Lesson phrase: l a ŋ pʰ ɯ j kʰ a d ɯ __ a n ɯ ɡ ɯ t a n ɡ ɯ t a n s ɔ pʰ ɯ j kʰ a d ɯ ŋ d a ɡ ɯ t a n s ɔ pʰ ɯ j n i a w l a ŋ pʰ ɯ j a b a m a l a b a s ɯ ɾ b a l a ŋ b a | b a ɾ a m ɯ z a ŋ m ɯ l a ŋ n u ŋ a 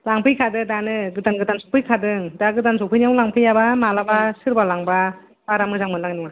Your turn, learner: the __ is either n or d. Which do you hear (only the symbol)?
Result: d